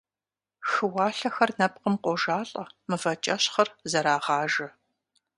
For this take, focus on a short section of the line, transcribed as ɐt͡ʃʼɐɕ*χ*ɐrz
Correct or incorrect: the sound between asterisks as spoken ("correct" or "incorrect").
correct